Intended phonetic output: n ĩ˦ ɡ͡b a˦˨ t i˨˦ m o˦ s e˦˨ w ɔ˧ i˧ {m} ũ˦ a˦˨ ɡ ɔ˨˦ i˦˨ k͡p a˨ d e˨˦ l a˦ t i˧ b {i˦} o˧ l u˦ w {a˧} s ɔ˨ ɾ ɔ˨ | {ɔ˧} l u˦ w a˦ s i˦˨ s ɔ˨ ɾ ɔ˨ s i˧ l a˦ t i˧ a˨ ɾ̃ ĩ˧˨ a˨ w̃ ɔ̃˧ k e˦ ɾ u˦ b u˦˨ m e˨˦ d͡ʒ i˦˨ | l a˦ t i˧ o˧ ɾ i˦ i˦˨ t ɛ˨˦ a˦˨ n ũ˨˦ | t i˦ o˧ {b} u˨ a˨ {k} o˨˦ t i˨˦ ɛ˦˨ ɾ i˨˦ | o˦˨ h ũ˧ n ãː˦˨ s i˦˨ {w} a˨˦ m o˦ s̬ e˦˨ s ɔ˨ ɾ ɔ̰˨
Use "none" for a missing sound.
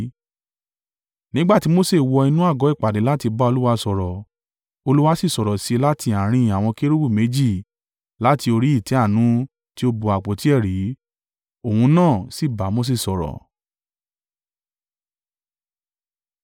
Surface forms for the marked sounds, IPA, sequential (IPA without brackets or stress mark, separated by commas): n, a˦, a˧, o˧, b, k͡p, b